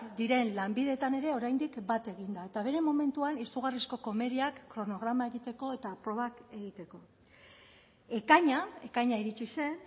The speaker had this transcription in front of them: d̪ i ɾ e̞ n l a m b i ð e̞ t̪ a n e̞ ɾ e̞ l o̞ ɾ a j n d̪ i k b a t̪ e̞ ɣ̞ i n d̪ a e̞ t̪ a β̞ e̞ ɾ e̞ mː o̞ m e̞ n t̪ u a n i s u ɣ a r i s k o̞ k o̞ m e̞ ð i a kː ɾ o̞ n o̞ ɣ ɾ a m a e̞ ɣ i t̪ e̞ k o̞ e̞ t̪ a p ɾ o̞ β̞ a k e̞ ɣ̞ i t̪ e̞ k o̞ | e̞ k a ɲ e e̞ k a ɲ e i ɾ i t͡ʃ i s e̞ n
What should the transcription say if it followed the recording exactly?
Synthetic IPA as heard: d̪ i ɾ e̞ n l a m b i ð e̞ t̪ a n e̞ ɾ e̞ o̞ ɾ a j n d̪ i k b a t̪ e̞ ɣ̞ i n d̪ a e̞ t̪ a β̞ e̞ ɾ e̞ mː o̞ m e̞ n t̪ u a n i s u ɣ a r i s k o̞ k o̞ m e̞ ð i a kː ɾ o̞ n o̞ ɣ ɾ a m a e̞ ɣ i t̪ e̞ k o̞ e̞ t̪ a p ɾ o̞ β̞ a k e̞ ɣ̞ i t̪ e̞ k o̞ | e̞ k a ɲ a e̞ k a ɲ a i ɾ i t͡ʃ i s e̞ n